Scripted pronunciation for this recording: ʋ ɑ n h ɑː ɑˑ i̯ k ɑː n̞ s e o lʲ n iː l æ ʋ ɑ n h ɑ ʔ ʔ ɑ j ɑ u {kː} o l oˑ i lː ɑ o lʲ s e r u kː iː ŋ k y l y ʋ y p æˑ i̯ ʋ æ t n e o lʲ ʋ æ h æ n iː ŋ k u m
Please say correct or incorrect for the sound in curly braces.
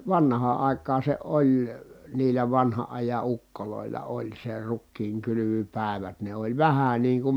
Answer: correct